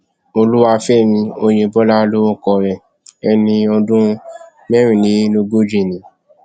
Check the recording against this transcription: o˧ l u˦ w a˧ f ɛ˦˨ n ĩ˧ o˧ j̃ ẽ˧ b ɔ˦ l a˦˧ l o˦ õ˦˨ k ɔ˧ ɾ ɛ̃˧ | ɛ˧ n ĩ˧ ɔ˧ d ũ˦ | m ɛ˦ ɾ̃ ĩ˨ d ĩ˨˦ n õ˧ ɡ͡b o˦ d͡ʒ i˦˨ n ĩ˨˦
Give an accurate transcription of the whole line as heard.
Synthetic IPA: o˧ l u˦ w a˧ f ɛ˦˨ n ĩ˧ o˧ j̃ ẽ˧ b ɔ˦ l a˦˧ l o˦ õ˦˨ k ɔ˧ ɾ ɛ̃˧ | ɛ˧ n ĩ˧ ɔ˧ d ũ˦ | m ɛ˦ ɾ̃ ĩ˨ n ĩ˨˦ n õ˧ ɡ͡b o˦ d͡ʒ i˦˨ n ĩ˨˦